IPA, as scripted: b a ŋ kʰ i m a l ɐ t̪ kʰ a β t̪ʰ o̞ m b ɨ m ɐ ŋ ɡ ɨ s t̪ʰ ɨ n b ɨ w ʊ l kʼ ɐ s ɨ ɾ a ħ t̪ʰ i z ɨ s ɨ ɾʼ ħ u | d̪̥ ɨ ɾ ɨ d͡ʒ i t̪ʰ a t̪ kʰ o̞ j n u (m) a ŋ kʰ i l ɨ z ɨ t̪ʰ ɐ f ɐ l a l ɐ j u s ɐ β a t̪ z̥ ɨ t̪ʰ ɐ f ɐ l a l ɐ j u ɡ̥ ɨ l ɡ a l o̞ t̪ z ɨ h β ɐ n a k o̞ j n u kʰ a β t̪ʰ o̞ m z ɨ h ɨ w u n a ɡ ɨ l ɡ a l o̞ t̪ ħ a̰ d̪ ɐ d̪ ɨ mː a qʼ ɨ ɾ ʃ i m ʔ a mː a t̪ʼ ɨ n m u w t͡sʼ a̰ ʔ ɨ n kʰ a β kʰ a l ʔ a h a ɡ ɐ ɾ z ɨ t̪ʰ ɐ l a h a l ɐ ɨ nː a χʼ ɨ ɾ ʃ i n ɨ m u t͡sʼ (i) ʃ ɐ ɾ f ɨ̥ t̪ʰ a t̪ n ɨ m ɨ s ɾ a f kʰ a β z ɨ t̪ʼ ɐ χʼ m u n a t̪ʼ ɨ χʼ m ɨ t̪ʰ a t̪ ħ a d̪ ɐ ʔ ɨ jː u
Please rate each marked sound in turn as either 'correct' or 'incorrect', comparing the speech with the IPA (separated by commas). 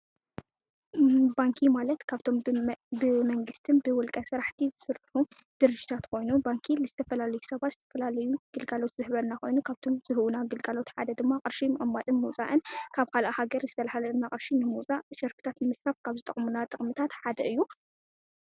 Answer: incorrect, incorrect